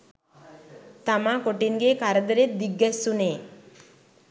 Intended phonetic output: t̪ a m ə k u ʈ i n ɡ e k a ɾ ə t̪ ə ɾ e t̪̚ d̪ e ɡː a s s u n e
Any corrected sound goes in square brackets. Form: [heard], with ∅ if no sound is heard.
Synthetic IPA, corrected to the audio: t̪ a m [a] k [o] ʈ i n ɡ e k a ɾ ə [d̪] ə ɾ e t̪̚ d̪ [i] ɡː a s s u n e